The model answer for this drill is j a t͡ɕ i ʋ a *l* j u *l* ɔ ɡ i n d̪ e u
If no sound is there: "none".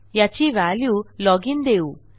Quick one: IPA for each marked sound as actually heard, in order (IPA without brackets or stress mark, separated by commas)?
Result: l, l